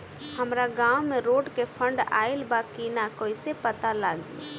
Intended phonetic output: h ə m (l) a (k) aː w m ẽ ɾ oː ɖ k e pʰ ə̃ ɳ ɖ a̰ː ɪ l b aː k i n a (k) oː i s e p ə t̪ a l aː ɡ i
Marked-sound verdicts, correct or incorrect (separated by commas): incorrect, incorrect, correct